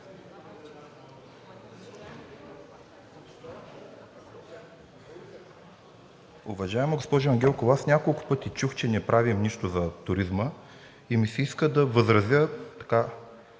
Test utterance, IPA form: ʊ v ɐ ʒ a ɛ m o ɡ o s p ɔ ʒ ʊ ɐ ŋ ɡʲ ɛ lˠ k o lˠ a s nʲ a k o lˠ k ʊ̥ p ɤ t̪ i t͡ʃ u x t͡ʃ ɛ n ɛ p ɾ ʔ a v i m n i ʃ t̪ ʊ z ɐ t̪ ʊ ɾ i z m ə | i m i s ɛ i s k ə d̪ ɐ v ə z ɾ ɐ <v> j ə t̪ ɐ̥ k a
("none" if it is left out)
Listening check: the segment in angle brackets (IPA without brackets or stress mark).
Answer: z